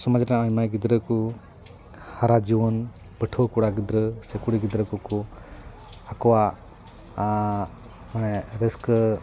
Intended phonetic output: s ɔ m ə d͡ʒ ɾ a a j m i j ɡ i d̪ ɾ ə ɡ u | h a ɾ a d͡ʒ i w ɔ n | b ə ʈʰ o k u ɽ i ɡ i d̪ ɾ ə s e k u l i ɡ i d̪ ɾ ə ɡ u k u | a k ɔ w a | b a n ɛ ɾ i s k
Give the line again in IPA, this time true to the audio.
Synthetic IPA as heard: s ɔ m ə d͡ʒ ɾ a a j m a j ɡ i d̪ ɾ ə k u | h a ɾ a d͡ʒ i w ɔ n | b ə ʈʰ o k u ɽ a ɡ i d̪ ɾ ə s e k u ɽ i ɡ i d̪ ɾ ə k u k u | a k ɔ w a | m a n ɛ ɾ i s k